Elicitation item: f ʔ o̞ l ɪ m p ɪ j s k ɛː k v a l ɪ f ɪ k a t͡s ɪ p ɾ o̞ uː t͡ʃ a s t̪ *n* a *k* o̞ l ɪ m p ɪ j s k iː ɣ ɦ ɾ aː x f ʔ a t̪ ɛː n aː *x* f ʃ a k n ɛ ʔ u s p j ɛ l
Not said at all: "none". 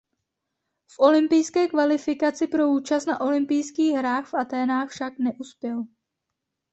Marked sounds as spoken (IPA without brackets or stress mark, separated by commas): n, ʔ, x